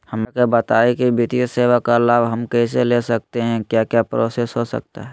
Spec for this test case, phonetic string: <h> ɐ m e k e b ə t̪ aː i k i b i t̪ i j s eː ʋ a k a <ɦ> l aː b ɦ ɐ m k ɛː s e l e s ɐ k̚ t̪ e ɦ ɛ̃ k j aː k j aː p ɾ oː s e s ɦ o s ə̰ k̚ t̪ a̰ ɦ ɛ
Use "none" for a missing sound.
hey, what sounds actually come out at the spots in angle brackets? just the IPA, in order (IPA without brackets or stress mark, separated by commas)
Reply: h, none